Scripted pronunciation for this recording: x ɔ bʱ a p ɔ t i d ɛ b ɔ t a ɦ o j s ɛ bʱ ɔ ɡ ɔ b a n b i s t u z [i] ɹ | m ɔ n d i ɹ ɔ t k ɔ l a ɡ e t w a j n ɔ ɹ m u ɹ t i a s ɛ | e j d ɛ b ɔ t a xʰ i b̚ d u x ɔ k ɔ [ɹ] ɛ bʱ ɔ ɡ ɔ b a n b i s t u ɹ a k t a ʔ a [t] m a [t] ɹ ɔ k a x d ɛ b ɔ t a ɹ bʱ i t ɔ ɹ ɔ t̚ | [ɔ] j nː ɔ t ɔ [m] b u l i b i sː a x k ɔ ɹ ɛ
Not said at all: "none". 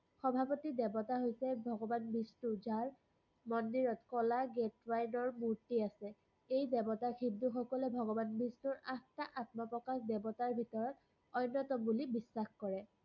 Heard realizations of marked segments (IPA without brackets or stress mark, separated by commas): a, l, t, p, ɔ, m